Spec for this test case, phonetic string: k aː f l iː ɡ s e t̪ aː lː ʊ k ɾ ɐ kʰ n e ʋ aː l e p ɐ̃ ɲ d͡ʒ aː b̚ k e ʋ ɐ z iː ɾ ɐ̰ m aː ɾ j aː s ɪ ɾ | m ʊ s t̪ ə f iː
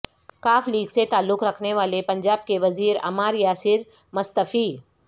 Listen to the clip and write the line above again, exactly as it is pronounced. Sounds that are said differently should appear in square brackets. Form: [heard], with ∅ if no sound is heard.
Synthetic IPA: k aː f l iː ɡ s e t̪ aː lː ʊ k ɾ ɐ kʰ n e ʋ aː l e p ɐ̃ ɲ d͡ʒ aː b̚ k e ʋ ɐ z iː ɾ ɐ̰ m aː ɾ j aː s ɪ ɾ | m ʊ s t̪ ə f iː